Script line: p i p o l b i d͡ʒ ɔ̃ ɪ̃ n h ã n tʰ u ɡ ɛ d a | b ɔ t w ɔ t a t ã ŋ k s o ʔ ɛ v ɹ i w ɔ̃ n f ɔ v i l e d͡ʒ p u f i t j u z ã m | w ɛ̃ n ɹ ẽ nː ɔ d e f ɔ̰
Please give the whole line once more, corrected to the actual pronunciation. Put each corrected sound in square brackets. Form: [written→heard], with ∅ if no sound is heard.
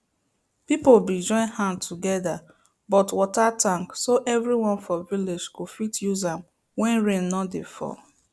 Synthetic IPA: p i p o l b i d͡ʒ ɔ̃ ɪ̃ n h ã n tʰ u ɡ ɛ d a | b ɔ t w ɔ t a t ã ŋ k s o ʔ ɛ v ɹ i w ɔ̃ n f ɔ v i l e d͡ʒ [p→k] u f i t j u z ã m | w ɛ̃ n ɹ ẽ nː ɔ d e f ɔ̰

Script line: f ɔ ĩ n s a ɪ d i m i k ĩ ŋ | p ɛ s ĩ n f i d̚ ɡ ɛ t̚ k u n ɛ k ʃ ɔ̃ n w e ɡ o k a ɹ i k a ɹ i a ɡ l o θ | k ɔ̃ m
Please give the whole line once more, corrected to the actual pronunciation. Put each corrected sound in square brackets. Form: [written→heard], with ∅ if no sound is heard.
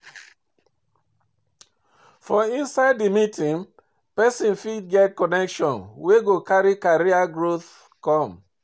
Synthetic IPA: f ɔ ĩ n s a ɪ d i m i [k→t] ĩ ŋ | p ɛ s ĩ n f i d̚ ɡ ɛ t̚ k [u→ɔ] n ɛ k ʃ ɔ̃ n w e ɡ o k a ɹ i k a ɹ i a ɡ [l→ɹ] o θ | k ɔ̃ m

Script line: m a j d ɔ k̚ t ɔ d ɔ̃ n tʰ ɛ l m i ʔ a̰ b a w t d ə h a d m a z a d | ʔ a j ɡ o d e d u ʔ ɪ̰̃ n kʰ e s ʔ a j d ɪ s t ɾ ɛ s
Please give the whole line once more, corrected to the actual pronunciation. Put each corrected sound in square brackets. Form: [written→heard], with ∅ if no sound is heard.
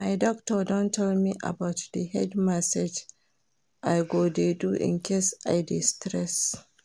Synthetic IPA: m a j d ɔ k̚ t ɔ d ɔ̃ n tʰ ɛ l m i ʔ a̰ b a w t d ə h [a→ɛ] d m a [z→s] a [d→d͡ʒ] | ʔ a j ɡ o d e d u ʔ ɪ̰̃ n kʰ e s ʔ a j d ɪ s t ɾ ɛ s

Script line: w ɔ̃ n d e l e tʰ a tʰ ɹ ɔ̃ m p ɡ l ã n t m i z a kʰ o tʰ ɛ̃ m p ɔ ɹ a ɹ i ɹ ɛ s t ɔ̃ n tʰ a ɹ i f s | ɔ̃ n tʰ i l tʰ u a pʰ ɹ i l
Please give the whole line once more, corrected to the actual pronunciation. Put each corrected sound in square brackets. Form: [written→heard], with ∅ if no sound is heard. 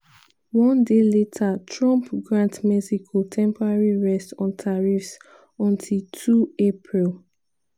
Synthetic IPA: w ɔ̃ n d e l e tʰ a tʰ ɹ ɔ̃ m p ɡ [l→ɹ] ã n t m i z [a→i] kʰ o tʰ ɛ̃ m p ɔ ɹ a ɹ i ɹ ɛ s t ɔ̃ n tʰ a ɹ i f s | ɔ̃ n tʰ i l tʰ u [a→e] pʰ ɹ i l

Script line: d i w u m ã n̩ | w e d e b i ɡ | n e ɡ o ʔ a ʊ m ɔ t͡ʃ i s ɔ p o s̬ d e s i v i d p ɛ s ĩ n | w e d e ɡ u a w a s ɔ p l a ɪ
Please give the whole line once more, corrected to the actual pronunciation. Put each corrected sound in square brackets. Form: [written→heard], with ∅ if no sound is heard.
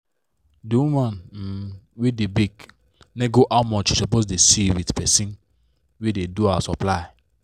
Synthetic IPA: d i w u m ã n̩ | w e d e b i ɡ | n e ɡ o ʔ a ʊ m ɔ t͡ʃ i s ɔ p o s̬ d e s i [v→w] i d p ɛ s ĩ n | w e d e [ɡ→d] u a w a s ɔ p l a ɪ

